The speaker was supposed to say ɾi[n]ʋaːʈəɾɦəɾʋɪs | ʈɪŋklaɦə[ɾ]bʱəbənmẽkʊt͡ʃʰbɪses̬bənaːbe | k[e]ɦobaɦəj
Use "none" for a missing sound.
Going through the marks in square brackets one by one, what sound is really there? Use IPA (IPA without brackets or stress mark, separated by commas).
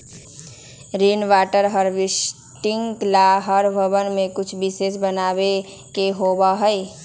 n, ɾ, e